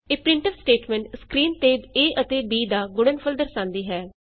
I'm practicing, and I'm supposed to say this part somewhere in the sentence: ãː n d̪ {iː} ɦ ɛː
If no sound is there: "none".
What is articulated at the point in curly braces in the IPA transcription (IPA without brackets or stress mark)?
iː